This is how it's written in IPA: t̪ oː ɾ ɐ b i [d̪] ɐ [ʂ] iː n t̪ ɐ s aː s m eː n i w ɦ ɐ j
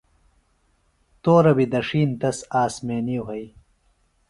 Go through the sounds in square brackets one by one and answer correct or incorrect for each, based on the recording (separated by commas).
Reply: correct, correct